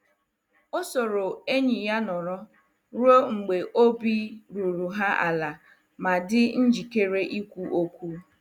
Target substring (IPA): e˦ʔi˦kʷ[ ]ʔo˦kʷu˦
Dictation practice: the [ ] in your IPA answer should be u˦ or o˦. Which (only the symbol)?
u˦